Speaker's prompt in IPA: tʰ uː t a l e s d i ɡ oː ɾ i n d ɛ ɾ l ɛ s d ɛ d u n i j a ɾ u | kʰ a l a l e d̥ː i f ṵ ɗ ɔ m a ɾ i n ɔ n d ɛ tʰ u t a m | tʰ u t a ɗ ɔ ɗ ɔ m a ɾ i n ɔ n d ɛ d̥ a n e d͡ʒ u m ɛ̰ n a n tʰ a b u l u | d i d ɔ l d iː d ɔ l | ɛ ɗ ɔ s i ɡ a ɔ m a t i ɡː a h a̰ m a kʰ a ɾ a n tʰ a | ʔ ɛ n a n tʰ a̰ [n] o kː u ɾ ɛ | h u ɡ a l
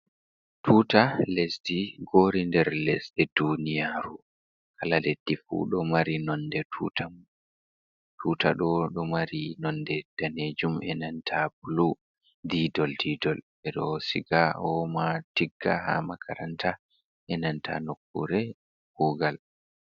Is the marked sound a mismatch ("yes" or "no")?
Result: no